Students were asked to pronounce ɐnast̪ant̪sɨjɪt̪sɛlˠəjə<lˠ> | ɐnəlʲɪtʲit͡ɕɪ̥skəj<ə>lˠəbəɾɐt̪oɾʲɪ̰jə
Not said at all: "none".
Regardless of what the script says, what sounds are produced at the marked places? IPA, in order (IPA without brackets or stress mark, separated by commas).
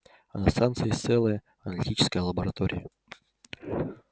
none, ə